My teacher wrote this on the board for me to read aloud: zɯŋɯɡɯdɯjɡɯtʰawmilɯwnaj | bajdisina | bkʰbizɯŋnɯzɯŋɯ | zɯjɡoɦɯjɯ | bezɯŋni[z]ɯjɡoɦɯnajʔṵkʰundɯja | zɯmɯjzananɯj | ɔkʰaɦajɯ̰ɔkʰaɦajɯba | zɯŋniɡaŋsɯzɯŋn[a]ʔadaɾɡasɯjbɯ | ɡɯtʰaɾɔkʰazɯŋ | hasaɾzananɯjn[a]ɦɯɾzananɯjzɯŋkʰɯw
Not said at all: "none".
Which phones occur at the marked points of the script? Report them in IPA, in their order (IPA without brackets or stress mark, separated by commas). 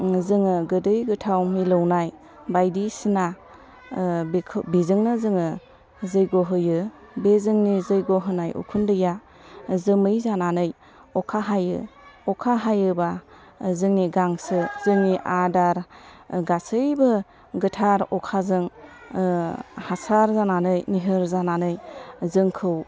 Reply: z, i, i